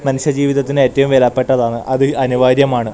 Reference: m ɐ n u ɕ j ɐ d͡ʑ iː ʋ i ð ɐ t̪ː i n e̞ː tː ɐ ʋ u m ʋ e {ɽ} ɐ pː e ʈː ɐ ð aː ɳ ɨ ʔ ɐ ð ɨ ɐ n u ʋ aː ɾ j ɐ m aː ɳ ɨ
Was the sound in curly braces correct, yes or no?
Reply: no